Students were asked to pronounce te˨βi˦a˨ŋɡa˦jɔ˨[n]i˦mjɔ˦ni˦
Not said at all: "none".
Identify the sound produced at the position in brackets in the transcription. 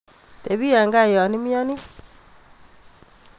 n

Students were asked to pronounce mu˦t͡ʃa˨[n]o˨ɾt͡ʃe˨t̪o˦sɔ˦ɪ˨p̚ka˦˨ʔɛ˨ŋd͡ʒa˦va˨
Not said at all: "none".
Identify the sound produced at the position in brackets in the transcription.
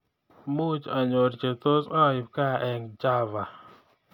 ɲ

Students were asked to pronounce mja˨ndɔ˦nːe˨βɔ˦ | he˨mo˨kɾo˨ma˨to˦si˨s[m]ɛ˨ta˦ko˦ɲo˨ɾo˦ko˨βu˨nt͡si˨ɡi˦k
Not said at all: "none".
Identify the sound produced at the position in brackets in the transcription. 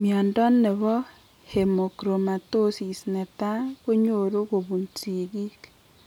n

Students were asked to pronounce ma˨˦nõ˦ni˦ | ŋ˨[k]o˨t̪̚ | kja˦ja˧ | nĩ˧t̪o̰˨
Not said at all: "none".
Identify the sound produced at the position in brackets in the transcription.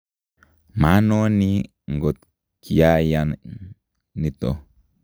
ɡ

